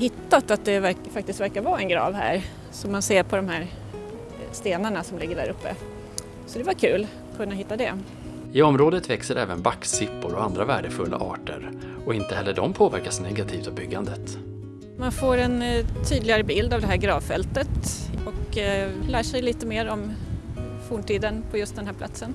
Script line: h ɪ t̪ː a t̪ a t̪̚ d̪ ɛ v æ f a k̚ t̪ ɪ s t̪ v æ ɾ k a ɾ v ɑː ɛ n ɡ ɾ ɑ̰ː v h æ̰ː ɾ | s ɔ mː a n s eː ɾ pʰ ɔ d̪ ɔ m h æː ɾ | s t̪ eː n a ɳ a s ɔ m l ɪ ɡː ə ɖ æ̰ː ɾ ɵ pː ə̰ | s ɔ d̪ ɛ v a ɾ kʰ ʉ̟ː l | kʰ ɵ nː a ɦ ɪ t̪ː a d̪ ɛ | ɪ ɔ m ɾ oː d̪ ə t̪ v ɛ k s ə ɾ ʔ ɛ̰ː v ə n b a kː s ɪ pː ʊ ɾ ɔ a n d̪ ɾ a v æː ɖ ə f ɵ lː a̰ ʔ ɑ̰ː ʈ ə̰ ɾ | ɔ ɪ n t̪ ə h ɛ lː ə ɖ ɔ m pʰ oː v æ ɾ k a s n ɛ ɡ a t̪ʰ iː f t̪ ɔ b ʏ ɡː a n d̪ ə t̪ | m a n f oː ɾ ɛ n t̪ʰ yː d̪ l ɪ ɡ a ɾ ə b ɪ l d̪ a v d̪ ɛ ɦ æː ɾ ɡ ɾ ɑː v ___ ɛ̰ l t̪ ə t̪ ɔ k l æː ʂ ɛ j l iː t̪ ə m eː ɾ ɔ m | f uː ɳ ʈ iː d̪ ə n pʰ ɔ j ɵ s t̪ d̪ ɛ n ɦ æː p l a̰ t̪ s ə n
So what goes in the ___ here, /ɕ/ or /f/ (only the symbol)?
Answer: f